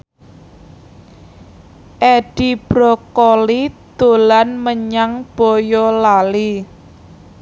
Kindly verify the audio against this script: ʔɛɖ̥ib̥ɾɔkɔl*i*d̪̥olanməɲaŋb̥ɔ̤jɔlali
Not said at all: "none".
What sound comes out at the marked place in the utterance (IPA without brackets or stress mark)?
i